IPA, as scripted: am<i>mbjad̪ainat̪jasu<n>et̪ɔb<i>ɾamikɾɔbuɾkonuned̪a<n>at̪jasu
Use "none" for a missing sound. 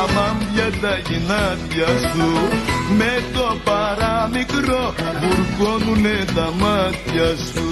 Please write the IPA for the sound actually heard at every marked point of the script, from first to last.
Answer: a, m, a, m

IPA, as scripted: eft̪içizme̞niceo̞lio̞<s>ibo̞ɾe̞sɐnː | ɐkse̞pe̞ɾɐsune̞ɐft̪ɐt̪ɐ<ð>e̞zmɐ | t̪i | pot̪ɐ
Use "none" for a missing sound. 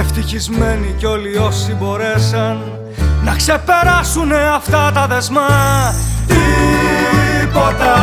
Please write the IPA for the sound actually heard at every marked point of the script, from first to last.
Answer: s, ð

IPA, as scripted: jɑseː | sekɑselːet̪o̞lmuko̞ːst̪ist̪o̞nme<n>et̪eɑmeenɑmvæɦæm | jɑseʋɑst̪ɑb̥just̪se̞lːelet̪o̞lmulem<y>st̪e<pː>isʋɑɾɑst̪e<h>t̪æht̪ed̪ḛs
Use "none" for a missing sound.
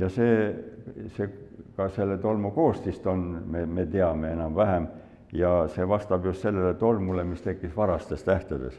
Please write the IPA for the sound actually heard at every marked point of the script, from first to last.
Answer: m, i, kː, s

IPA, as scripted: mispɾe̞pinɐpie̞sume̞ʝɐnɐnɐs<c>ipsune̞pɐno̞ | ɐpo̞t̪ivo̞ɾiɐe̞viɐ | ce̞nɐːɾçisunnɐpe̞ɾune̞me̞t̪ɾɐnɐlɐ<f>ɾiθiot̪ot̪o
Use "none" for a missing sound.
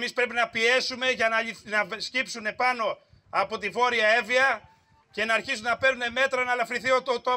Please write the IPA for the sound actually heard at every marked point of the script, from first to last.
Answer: c, f

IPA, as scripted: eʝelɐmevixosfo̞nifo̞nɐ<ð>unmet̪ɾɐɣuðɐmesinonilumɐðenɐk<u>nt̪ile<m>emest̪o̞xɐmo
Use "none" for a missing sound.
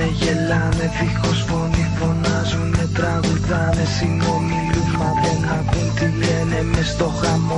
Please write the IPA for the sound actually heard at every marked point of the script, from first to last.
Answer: z, u, n

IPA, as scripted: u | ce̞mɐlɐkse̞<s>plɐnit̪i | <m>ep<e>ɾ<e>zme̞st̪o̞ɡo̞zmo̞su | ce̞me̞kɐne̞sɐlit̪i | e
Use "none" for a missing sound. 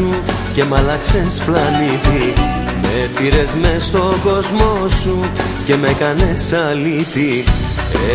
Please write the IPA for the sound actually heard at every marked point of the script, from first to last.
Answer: s, m, i, e

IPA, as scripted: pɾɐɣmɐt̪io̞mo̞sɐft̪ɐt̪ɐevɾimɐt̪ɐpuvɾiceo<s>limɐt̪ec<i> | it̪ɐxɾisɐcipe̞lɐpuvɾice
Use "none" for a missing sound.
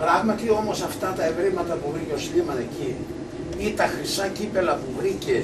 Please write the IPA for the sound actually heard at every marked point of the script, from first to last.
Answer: s, i

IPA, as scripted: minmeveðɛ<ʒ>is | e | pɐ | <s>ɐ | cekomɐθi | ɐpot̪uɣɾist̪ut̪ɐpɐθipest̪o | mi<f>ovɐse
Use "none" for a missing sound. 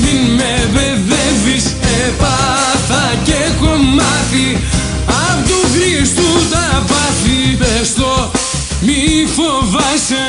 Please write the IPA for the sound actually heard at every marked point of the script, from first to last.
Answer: v, θ, f

